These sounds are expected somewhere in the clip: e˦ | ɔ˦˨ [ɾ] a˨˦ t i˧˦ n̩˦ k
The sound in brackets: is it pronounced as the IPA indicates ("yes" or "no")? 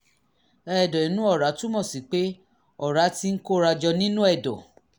yes